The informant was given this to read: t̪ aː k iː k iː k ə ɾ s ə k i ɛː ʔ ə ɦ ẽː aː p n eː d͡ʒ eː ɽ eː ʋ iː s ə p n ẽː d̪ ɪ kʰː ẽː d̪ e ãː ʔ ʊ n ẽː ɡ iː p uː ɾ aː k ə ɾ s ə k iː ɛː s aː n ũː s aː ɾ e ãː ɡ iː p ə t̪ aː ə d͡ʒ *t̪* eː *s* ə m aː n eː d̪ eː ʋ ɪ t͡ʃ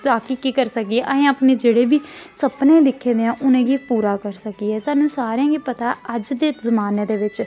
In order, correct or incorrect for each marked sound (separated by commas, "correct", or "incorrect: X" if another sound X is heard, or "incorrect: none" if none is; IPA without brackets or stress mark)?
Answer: incorrect: d̪, incorrect: z